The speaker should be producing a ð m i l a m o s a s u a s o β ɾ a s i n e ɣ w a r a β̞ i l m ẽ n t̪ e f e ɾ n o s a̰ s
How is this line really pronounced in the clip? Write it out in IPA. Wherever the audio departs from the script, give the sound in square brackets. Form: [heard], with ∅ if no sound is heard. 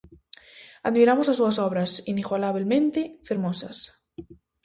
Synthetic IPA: a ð m i [ɾ] a m o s a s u a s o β ɾ a s i n [i] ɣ w a [l] a β̞ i l m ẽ n t̪ e f e ɾ [m] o s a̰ s